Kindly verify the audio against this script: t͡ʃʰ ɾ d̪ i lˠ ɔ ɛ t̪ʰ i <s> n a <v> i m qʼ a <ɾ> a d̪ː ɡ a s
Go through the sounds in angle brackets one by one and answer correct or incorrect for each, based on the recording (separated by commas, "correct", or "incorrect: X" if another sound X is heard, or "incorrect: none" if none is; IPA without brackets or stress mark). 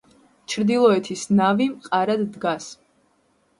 correct, correct, correct